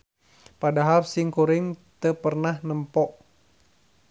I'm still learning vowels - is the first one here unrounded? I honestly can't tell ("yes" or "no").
yes